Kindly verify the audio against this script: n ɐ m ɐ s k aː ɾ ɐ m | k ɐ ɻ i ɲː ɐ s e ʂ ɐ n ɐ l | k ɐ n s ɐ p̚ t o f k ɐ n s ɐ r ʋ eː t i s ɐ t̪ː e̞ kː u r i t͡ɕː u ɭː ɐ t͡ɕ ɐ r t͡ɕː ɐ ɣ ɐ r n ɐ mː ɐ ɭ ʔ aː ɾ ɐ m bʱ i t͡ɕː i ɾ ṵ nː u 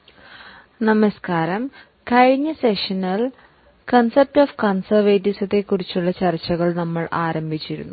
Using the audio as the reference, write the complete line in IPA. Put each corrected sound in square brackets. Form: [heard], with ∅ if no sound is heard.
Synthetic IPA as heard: n ɐ m ɐ s k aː ɾ ɐ m | k ɐ ɻ i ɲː ɐ s e ʂ ɐ n ɐ l | k ɐ n s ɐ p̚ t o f k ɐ n s ɐ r ʋ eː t i s ɐ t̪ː e̞ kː u r i t͡ɕː u ɭː ɐ t͡ɕ ɐ r t͡ɕː ɐ ɣ ɐ [ɭ] n ɐ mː ɐ ɭ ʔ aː ɾ ɐ m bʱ i t͡ɕː i ɾ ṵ nː u